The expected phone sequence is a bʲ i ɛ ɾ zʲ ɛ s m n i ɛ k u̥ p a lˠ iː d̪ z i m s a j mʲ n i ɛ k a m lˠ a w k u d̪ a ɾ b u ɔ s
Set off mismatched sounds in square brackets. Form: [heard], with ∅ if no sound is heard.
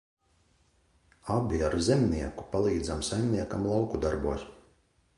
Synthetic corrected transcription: a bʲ i [a] ɾ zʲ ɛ [∅] m n i ɛ k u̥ p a lˠ iː d̪ z [a] m s a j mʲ n i ɛ k a m lˠ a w k u d̪ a ɾ b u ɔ s